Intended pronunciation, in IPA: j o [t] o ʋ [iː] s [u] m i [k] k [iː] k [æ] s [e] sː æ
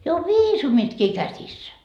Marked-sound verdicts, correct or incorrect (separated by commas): incorrect, correct, correct, incorrect, correct, correct, incorrect